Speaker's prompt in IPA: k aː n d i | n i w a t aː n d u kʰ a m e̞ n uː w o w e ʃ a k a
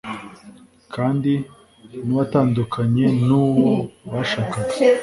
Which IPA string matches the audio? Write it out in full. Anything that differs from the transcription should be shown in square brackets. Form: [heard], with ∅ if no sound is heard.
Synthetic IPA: k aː n d i | n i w a t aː n d u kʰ a [ɲ] e̞ n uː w o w [a] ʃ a k a